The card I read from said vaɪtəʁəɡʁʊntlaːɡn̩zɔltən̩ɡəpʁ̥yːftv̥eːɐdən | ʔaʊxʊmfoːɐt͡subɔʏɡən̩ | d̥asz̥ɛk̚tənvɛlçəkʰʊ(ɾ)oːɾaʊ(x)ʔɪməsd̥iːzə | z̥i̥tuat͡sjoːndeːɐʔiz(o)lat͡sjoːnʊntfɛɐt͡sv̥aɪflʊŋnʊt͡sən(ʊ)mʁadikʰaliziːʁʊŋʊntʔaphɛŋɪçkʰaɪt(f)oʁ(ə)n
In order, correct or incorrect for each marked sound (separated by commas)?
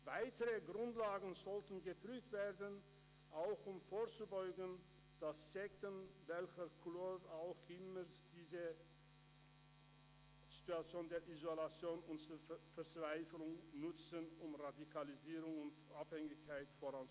incorrect, correct, correct, correct, correct, incorrect